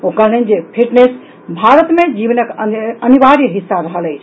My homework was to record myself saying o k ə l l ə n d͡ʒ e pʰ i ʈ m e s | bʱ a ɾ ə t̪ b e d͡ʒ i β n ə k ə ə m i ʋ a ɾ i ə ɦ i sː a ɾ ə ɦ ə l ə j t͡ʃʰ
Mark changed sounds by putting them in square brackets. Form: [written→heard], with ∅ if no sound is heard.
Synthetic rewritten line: o k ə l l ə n d͡ʒ e pʰ i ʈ [m→n] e s | bʱ a ɾ ə t̪ [b→m] e d͡ʒ i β n ə k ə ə [m→n] i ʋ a ɾ [i→j] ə ɦ i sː a ɾ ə ɦ ə l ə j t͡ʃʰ